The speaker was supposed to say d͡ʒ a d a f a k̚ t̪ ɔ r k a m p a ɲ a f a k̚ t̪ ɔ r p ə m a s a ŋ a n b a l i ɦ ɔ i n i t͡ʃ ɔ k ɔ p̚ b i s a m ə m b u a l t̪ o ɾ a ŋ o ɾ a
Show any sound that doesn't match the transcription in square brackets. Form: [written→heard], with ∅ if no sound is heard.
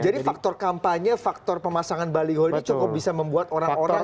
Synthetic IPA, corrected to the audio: d͡ʒ a d [a→i] f a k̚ t̪ ɔ r k a m p a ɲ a f a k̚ t̪ ɔ r p ə m a s a ŋ a n b a l i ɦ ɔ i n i t͡ʃ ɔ k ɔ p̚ b i s a m ə m b u a [l→∅] t̪ o ɾ a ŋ o ɾ a